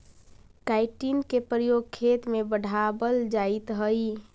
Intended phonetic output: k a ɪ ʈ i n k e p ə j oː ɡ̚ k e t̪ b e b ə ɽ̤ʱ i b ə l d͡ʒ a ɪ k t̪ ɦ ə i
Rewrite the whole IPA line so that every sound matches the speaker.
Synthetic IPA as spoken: k a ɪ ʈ i n k e p ə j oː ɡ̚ kʰ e t̪ m e b ə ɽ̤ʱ a b ə l d͡ʒ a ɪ t̪ ɦ ə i